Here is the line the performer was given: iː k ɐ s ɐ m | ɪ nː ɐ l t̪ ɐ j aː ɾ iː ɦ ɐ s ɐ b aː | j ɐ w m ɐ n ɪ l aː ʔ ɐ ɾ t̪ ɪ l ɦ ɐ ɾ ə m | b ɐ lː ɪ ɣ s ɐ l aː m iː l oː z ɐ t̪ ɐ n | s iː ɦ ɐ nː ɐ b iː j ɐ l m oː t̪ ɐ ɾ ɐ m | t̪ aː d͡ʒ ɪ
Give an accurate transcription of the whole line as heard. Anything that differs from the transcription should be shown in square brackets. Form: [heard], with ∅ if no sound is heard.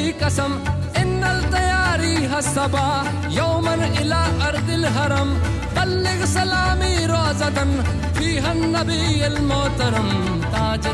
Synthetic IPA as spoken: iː k ɐ s ɐ m | ɪ nː ɐ l t̪ ɐ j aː ɾ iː ɦ ɐ s ɐ b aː | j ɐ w m ɐ n ɪ l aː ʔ ɐ ɾ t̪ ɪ l ɦ ɐ ɾ [ɐ] m | b ɐ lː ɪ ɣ s ɐ l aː m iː [ɾ] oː z ɐ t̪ ɐ n | [f] iː ɦ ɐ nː ɐ b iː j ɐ l m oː t̪ ɐ ɾ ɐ m | t̪ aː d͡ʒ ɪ